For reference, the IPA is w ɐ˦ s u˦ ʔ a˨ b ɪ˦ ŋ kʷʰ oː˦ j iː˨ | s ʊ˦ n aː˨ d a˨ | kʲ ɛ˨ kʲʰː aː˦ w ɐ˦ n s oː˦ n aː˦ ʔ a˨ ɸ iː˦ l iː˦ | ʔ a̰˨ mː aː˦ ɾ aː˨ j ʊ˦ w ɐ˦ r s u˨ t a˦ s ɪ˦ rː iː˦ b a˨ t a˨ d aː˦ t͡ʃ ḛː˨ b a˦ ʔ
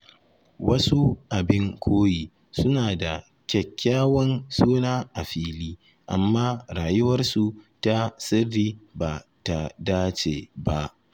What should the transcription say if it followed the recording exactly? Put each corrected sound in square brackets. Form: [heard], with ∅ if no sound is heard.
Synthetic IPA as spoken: w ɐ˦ s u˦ ʔ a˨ b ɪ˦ ŋ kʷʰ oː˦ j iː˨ | s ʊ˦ n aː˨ d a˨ | kʲ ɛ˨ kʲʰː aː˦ w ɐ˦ n s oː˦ n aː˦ ʔ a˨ ɸ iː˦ l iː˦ | ʔ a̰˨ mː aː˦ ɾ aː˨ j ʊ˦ w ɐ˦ r s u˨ t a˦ s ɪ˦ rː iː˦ b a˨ t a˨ d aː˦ t͡ʃ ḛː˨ b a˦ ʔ